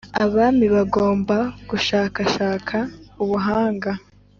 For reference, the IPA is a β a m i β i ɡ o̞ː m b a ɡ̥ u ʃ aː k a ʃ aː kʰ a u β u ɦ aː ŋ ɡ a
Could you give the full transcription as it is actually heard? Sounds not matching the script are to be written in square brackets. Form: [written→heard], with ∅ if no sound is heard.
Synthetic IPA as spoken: a β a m i β [i→a] ɡ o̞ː m b a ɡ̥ u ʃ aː k a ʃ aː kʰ a u β u ɦ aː ŋ ɡ a